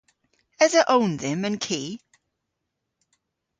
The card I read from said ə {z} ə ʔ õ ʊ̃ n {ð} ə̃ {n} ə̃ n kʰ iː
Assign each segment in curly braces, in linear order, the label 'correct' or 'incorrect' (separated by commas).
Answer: correct, correct, incorrect